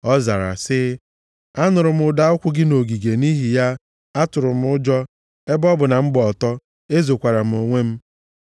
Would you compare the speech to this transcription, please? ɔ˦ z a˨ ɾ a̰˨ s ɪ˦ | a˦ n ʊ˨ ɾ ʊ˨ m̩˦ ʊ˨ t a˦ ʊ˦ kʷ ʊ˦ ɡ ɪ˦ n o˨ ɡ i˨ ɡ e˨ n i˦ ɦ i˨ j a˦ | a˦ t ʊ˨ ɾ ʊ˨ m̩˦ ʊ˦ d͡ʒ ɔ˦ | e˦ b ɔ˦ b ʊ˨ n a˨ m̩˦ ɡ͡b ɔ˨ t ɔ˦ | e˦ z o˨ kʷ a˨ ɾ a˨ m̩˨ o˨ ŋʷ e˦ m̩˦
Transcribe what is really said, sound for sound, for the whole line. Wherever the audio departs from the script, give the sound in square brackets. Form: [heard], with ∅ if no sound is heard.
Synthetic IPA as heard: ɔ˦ z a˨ ɾ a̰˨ s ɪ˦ | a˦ n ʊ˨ ɾ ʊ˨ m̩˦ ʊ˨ [d] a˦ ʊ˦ kʷ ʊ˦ ɡ ɪ˦ n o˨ ɡ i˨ ɡ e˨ n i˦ ɦ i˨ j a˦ | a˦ t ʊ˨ ɾ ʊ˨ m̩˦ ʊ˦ d͡ʒ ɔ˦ | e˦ b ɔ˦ b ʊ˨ n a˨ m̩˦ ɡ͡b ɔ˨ t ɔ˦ | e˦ z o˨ kʷ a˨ ɾ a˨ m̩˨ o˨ ŋʷ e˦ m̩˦

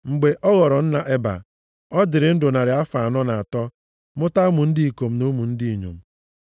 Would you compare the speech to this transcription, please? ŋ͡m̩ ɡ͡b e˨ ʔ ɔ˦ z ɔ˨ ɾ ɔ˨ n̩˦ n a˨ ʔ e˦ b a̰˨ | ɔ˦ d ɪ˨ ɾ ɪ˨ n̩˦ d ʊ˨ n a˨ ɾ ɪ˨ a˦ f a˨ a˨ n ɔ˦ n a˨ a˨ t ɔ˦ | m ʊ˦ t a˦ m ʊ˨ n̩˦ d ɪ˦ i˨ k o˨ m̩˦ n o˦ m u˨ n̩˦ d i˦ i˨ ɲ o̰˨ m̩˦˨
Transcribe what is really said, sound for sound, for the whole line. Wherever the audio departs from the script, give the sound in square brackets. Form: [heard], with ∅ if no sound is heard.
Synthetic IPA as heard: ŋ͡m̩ ɡ͡b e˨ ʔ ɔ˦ [ɣ] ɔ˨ ɾ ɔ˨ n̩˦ n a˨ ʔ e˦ b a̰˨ | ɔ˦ d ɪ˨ ɾ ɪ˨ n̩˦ d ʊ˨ n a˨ ɾ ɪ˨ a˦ f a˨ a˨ n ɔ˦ n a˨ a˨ t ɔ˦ | m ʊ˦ t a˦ m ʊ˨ n̩˦ d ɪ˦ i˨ k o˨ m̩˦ n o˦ m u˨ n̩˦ d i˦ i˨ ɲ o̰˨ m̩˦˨

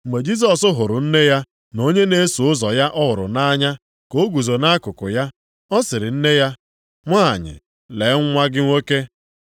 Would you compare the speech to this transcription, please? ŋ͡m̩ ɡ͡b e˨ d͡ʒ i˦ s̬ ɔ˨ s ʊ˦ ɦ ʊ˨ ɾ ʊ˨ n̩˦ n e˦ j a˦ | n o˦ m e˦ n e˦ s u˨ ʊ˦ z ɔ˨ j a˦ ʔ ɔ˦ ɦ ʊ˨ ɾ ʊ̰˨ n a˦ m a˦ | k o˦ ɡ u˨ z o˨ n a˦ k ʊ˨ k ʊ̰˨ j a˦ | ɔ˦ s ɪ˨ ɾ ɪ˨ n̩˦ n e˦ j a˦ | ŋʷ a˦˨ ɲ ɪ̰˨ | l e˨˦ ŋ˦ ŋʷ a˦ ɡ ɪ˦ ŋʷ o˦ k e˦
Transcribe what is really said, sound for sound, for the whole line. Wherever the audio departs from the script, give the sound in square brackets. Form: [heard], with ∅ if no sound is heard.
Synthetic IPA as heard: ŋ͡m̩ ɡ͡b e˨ d͡ʒ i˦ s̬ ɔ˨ s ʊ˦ ɦ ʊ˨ ɾ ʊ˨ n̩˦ n e˦ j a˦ | n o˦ [ɲ] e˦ n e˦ s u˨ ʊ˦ z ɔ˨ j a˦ ʔ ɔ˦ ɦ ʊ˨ ɾ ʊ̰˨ n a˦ [ɲ] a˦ | k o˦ ɡ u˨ z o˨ n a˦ k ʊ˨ k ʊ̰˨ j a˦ | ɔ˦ s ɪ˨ ɾ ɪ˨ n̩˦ n e˦ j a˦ | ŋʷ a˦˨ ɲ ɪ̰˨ | l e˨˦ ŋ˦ ŋʷ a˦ ɡ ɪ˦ ŋʷ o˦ k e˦

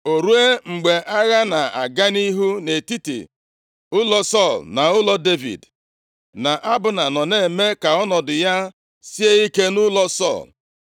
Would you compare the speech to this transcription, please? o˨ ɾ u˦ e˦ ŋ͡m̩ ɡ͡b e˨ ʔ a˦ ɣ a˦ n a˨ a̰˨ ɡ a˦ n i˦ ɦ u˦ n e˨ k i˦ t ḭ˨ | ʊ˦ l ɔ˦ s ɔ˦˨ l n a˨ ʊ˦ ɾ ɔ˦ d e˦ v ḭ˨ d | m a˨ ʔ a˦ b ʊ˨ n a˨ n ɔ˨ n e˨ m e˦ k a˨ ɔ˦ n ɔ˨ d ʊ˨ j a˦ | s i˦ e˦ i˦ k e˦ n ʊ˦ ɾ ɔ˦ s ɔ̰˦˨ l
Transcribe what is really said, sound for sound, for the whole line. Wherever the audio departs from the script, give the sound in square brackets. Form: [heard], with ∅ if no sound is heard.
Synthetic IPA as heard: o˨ ɾ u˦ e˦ ŋ͡m̩ ɡ͡b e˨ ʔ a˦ ɣ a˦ n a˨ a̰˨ ɡ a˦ n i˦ ɦ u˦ n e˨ [t] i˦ t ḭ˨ | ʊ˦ l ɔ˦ s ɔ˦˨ l n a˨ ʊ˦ [l] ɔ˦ d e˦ v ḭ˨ d | [n] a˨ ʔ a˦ b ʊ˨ n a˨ n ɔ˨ n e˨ m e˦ k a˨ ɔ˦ n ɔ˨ d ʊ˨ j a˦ | s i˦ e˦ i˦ k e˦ n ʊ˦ [l] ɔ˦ s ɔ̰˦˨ l

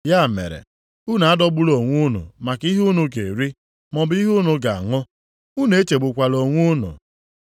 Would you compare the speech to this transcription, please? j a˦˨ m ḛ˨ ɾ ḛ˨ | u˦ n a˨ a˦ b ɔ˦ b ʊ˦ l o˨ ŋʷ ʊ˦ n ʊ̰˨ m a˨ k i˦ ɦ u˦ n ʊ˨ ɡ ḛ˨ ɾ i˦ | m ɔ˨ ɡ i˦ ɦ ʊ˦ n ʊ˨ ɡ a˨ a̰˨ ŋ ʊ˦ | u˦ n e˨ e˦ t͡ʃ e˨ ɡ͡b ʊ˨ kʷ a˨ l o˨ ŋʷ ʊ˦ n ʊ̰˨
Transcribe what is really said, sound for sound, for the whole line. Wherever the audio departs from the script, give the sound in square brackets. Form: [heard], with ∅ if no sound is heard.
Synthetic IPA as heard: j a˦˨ m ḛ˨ ɾ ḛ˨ | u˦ n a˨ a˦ [d] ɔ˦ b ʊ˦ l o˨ ŋʷ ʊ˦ n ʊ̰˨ m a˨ k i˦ ɦ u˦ n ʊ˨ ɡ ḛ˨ ɾ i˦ | m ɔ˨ [b] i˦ ɦ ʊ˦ n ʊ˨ ɡ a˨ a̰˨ ŋ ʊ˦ | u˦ n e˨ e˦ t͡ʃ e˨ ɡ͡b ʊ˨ kʷ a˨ l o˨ ŋʷ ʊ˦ n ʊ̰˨

